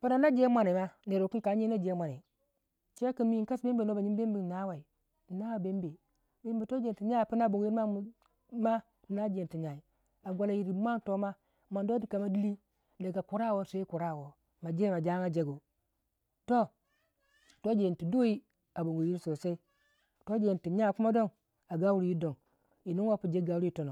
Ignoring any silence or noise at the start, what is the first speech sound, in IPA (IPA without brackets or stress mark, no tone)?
p